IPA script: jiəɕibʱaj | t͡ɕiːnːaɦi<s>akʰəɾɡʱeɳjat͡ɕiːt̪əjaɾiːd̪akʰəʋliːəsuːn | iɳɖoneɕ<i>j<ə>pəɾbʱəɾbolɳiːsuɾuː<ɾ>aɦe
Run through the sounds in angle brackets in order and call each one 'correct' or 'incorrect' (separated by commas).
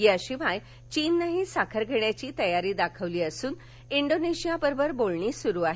correct, correct, incorrect, incorrect